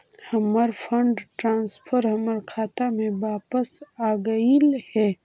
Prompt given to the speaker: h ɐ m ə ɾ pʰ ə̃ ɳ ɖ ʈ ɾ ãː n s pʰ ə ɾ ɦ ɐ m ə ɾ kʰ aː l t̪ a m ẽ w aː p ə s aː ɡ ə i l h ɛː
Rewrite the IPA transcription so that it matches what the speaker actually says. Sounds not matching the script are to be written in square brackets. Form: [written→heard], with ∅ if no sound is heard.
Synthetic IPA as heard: h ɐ m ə ɾ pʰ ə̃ ɳ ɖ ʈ ɾ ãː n s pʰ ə ɾ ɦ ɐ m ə ɾ kʰ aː [l→∅] t̪ a m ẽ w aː p ə s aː ɡ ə i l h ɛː